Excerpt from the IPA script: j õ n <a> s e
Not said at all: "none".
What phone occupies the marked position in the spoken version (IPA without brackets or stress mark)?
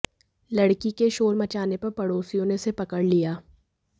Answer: e